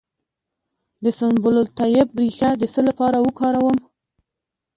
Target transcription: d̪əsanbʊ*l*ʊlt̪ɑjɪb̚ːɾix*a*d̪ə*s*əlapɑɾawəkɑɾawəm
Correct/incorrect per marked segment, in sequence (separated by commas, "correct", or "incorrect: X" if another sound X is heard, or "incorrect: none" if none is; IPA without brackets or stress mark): correct, correct, correct